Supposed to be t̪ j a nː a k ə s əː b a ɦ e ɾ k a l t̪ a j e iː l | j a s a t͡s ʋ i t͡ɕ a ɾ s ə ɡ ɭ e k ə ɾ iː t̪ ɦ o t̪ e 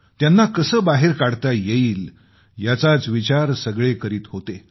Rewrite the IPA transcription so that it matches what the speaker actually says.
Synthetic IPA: t̪ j a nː a k ə s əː b a ɦ e ɾ k a ɽ t̪ a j e iː l | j a t͡s a t͡s ʋ i t͡ɕ a ɾ s ə ɡ ɭ e k ə ɾ iː t̪ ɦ o t̪ e